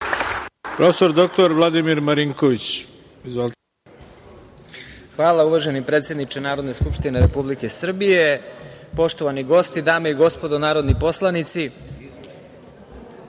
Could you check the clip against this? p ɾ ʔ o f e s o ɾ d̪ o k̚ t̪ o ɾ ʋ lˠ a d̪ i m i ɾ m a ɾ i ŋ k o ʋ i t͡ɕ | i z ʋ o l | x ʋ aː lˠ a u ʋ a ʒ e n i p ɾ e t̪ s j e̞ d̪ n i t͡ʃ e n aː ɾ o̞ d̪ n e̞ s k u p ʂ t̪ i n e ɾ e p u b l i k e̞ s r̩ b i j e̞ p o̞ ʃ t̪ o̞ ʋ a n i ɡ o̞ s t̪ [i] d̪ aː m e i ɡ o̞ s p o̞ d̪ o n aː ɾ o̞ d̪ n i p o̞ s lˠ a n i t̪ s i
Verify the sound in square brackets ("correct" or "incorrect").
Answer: correct